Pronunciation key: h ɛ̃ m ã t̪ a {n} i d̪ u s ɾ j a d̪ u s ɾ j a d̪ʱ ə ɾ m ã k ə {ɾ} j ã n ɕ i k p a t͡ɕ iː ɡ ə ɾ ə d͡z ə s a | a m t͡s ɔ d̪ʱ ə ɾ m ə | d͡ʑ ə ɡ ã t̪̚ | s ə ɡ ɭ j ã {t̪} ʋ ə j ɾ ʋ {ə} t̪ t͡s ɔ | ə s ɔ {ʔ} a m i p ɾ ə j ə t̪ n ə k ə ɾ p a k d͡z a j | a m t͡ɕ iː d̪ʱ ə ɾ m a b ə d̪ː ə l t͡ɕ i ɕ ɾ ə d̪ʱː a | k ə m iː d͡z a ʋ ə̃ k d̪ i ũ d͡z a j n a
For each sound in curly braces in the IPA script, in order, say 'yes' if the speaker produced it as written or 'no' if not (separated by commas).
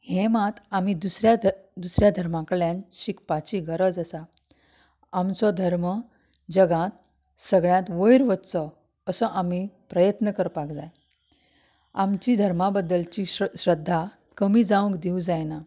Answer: no, no, yes, yes, yes